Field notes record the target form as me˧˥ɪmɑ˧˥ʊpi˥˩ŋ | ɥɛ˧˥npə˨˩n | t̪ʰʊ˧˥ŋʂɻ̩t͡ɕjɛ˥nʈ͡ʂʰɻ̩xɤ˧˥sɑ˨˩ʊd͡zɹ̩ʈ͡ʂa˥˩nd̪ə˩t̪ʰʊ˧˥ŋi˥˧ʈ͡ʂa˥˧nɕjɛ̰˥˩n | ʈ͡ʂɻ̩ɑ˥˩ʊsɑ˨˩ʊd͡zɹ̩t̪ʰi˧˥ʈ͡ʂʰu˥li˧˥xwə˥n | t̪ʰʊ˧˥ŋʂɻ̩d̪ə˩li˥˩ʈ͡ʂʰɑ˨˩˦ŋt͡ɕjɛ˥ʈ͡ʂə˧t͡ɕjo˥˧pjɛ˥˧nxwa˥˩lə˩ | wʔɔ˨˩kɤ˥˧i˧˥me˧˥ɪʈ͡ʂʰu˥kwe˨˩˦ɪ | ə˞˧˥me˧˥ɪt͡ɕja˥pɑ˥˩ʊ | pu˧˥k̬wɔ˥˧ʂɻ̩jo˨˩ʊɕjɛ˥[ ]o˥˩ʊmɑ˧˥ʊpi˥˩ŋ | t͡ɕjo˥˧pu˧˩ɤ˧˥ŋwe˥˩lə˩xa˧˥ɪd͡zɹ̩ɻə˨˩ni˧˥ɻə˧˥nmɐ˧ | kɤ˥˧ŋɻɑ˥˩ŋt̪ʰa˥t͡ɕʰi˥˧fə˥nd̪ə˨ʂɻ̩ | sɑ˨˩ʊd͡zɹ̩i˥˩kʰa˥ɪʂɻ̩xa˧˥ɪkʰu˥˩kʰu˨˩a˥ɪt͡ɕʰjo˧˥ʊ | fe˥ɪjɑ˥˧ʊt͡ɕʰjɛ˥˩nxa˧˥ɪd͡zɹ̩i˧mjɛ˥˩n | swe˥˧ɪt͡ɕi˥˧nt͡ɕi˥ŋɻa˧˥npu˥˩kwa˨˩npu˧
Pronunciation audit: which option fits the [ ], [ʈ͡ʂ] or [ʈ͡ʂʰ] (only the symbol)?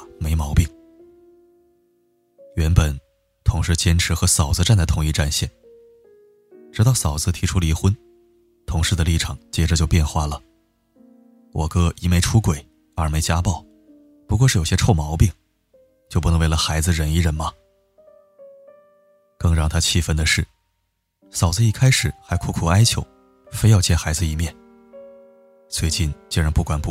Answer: ʈ͡ʂʰ